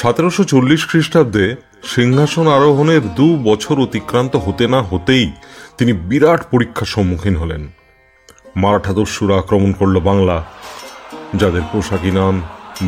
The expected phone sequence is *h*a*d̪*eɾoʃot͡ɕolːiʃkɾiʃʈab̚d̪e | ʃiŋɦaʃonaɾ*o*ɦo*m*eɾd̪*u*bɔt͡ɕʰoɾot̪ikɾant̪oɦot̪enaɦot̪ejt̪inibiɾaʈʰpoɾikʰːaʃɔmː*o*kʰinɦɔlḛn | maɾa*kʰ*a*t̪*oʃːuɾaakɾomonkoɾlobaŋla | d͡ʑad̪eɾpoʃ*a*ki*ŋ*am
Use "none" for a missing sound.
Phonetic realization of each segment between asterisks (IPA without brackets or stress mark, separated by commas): ʃ, t̪, o, n, u, u, ʈʰ, d̪, a, n